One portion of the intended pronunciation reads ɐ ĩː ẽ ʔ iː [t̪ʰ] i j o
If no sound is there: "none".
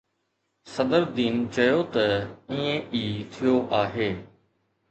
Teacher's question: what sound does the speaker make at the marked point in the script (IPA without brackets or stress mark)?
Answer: t̪ʰ